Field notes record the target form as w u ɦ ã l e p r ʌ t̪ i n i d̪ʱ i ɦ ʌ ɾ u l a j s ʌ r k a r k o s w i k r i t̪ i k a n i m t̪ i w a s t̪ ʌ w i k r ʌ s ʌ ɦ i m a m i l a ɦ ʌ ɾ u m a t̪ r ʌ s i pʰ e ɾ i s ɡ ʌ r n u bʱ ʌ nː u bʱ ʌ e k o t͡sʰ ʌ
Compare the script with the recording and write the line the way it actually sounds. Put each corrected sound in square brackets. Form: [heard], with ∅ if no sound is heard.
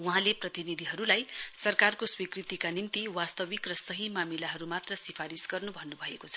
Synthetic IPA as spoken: w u ɦ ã l e p r ʌ t̪ i n i d̪ʱ i ɦ ʌ ɾ u l a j s ʌ r k a r k o s w i k r i t̪ i k a n i m t̪ i w a s t̪ ʌ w i k r ʌ s ʌ ɦ i m a m i l a ɦ ʌ ɾ u m a t̪ r ʌ s i pʰ [a] ɾ i s ɡ ʌ r n u bʱ ʌ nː u bʱ ʌ e k o t͡sʰ ʌ

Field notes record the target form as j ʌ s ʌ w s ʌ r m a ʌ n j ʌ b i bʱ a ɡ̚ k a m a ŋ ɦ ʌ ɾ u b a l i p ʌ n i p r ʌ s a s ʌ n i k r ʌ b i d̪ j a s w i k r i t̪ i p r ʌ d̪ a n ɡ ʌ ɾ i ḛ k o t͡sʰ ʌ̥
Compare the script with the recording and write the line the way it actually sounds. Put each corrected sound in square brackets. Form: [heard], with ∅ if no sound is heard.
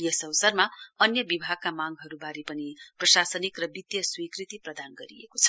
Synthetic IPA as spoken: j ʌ s ʌ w s ʌ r m a ʌ n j ʌ b i bʱ a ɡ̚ k a m a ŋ ɦ ʌ ɾ u b a [ɾ] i p ʌ n i p r ʌ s a s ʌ n i k r ʌ b i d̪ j [ʌ] s w i k r i t̪ i p r ʌ d̪ a n ɡ ʌ ɾ i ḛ k o t͡sʰ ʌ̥

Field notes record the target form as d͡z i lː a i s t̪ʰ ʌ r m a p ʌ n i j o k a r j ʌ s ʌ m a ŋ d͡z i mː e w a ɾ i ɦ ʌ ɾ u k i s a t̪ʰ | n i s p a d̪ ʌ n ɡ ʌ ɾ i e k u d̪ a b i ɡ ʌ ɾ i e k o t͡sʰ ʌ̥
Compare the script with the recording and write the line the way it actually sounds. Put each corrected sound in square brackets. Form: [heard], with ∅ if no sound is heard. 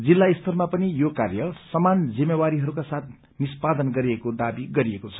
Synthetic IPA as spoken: d͡z i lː a i s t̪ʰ ʌ r m a p ʌ n i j o k a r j ʌ s ʌ m a [n] d͡z i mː e w a ɾ i ɦ ʌ ɾ u k [a] s a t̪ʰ | n i s p a d̪ ʌ n ɡ ʌ ɾ i e k [o] d̪ a b i ɡ ʌ ɾ i e k o t͡sʰ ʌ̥

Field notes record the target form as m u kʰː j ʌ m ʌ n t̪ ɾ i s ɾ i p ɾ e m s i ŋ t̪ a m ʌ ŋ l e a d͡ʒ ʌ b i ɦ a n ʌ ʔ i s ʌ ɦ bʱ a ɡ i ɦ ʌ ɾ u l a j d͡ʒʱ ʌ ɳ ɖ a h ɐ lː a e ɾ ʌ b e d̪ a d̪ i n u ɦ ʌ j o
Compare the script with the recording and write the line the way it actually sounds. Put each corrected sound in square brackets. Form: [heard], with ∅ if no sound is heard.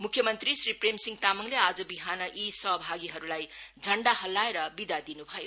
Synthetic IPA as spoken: m u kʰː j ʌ m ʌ n t̪ ɾ i s ɾ i p ɾ e m s i ŋ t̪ a m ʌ ŋ l e a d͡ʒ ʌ b i ɦ a n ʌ ʔ i s ʌ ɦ bʱ a ɡ i ɦ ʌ ɾ u l a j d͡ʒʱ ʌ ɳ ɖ a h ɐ lː a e ɾ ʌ b [i] d̪ a d̪ i n u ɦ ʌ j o

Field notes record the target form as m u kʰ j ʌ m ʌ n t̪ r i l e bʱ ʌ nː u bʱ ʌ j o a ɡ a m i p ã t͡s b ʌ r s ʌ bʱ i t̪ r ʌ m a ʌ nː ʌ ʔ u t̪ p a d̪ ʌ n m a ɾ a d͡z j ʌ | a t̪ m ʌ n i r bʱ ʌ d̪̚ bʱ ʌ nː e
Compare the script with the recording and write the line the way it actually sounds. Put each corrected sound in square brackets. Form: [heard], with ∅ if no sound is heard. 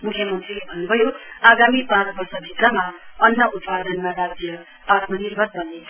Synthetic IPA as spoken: m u kʰ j ʌ m ʌ n t̪ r i l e bʱ ʌ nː u bʱ ʌ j o a ɡ a m i p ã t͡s b ʌ r s ʌ bʱ i t̪ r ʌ m a ʌ nː ʌ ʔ u t̪ p a d̪ ʌ n m a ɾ a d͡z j ʌ | a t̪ m ʌ n i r bʱ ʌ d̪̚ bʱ ʌ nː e

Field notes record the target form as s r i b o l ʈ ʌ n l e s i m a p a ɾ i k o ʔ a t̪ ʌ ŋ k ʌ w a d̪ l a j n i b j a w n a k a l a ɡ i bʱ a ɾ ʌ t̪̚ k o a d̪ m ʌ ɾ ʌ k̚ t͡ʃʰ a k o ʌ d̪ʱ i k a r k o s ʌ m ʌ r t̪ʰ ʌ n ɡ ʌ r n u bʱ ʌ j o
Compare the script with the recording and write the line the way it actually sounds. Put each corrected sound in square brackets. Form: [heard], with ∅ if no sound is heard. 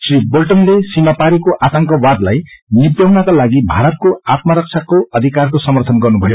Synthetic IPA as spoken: s r i b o l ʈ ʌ n l e s i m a p a ɾ i k o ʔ a t̪ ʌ ŋ k ʌ w a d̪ l a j n i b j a w n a k a l a ɡ i bʱ a ɾ ʌ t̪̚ k o a [t̪] m ʌ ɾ ʌ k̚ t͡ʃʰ a k o ʌ d̪ʱ i k a r k o s ʌ m ʌ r t̪ʰ ʌ n ɡ ʌ r n u bʱ ʌ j o

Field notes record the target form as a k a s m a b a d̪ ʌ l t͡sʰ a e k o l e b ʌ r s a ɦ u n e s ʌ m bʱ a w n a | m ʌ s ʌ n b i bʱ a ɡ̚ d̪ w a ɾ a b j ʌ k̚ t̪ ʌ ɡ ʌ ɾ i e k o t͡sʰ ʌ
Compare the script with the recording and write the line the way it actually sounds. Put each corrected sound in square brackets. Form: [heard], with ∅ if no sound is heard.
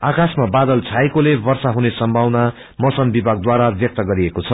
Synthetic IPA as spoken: a k a s m a b a d̪ ʌ l t͡sʰ a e k o l e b ʌ r s a ɦ u n e s ʌ m bʱ a w n a | m ʌ s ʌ n b i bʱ a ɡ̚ d̪ w a ɾ a b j ʌ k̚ t̪ ʌ ɡ ʌ ɾ i e k o t͡sʰ ʌ

